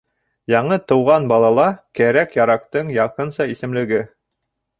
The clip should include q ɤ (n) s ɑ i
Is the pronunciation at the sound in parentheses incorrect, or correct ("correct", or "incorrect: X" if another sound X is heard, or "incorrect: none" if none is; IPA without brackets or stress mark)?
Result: correct